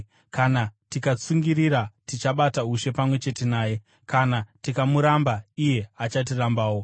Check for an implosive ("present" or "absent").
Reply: present